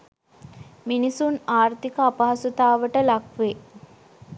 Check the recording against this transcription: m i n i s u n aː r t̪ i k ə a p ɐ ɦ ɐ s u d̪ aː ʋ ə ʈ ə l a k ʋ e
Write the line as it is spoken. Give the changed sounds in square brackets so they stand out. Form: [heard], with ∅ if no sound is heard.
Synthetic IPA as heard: m i n i s u n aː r t̪ i k ə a p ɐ ɦ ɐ s u [t̪] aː ʋ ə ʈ ə l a k ʋ e